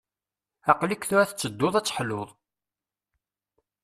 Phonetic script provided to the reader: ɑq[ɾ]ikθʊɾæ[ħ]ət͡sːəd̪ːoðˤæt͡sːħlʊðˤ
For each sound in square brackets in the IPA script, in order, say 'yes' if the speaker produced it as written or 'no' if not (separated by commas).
no, no